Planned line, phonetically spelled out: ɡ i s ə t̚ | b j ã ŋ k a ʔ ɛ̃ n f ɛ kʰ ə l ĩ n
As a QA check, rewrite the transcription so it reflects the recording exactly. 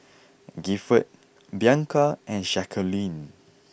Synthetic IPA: ɡ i f ə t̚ | b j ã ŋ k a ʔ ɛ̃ n ʃ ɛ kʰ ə l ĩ n